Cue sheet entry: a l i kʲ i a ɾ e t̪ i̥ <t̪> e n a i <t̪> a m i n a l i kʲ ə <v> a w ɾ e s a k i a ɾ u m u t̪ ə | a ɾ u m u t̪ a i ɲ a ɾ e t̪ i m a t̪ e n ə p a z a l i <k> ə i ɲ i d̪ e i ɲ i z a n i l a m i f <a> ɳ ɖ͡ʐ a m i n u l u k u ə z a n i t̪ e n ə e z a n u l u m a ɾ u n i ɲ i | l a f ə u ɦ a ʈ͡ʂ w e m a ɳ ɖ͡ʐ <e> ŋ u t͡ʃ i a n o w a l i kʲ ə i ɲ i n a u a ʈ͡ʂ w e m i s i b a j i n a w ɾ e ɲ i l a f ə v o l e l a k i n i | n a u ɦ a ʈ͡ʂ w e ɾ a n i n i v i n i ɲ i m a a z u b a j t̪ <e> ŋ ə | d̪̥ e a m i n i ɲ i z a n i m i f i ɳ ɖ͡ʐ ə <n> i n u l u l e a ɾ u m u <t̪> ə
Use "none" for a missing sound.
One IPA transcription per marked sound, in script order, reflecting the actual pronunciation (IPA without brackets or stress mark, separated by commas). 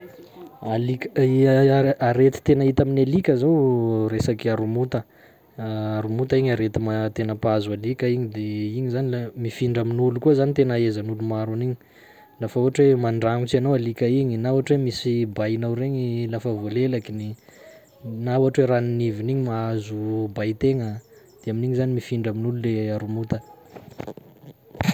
t̪, t̪, z, k, i, a, e, m, t̪